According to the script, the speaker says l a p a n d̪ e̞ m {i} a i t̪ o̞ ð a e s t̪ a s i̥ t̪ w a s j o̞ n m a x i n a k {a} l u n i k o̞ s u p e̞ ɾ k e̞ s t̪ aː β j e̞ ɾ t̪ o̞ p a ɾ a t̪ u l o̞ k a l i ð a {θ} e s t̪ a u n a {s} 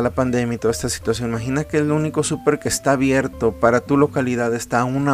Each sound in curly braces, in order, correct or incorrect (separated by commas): incorrect, incorrect, incorrect, incorrect